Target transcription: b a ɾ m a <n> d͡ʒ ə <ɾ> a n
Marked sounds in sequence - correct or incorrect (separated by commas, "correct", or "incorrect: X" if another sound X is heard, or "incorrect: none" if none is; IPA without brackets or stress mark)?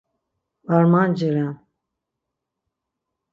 correct, correct